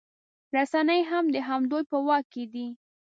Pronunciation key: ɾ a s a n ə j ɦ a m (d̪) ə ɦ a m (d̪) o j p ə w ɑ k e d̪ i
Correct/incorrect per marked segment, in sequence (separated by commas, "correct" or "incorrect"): correct, correct